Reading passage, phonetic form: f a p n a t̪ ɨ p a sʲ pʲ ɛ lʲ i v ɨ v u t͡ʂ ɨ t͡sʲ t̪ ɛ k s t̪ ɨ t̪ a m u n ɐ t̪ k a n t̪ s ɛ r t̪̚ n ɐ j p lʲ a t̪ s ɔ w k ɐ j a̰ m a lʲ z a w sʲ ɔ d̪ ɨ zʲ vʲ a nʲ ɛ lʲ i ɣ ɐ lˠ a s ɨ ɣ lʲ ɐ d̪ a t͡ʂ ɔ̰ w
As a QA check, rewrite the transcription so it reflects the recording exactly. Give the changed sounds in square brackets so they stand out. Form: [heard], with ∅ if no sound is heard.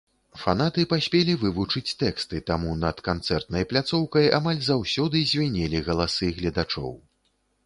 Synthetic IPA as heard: f a [∅] n a t̪ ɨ p a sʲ pʲ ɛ lʲ i v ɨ v u t͡ʂ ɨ t͡sʲ t̪ ɛ k s t̪ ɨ t̪ a m u n ɐ t̪ k a n t̪ s ɛ r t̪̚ n ɐ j p lʲ a t̪ s ɔ w k ɐ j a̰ m a lʲ z a w sʲ ɔ d̪ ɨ zʲ vʲ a nʲ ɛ lʲ i ɣ ɐ lˠ a s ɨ ɣ lʲ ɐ d̪ a t͡ʂ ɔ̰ w